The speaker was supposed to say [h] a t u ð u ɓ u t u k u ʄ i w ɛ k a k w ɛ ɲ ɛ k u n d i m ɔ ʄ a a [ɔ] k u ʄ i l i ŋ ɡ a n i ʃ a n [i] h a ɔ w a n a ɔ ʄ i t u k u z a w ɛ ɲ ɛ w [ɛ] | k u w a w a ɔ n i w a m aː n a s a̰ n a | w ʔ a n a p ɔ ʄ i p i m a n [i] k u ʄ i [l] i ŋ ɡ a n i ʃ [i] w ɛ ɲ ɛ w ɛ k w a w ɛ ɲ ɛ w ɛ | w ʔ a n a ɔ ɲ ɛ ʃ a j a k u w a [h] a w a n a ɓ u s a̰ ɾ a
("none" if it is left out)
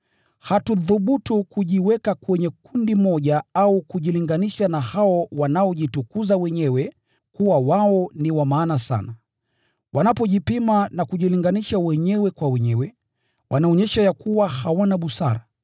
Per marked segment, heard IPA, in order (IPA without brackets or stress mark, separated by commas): h, u, a, ɛ, a, l, a, h